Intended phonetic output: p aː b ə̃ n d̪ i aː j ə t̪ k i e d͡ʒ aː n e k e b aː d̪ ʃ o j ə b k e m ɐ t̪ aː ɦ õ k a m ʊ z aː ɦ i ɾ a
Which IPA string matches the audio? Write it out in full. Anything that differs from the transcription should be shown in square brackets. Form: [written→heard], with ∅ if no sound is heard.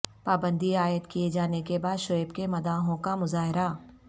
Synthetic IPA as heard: p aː b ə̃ n d̪ i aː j ə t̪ k i e d͡ʒ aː n e k e b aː d̪ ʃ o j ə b k e m ɐ [t̪→d̪] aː ɦ õ k a m ʊ z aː ɦ [i→ɪ] ɾ a